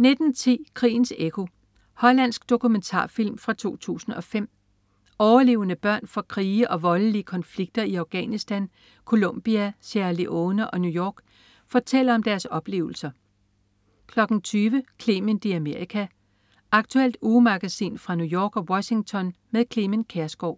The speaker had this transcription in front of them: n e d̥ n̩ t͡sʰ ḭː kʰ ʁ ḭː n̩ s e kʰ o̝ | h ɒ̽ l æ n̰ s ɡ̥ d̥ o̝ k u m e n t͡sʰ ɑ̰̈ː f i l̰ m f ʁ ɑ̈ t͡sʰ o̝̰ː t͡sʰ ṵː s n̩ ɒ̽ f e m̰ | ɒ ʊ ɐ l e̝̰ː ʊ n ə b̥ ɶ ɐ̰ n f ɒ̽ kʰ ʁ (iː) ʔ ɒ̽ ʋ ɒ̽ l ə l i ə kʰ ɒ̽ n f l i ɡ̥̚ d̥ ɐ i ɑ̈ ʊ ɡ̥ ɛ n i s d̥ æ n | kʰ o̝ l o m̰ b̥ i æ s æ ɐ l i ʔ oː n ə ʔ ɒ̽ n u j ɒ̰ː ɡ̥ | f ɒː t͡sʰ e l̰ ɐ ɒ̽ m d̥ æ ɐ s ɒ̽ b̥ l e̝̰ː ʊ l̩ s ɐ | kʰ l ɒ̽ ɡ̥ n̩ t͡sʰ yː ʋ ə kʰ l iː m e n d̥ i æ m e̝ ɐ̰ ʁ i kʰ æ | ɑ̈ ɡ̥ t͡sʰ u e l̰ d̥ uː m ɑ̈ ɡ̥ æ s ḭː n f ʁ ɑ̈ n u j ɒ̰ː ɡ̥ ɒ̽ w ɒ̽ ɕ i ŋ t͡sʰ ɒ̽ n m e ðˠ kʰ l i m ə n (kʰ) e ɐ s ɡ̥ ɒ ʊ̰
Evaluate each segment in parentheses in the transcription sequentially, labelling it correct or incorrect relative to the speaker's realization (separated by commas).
correct, correct